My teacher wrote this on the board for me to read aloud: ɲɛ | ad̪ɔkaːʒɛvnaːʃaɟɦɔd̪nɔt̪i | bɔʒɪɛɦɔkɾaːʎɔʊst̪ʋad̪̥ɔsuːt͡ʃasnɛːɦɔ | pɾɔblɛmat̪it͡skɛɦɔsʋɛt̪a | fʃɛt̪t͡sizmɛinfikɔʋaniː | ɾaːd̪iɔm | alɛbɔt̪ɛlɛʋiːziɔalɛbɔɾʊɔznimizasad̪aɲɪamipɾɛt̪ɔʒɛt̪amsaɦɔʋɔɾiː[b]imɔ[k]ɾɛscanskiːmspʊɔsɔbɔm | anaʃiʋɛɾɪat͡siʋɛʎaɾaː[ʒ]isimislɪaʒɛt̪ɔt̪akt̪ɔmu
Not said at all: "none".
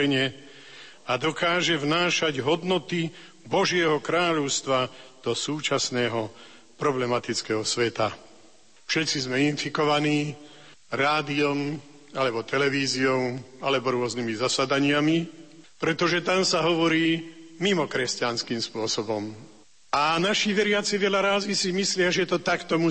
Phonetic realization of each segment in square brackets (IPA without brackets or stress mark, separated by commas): m, k, z